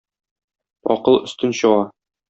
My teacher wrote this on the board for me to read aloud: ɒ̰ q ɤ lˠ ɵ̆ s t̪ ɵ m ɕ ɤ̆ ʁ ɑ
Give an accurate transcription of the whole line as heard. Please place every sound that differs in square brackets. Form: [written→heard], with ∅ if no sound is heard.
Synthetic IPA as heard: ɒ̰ q ɤ lˠ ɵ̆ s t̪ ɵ [m→n] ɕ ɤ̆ ʁ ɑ